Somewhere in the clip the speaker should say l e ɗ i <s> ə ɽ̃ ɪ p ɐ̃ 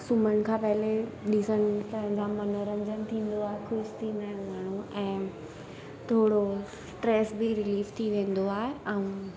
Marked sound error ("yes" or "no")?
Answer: no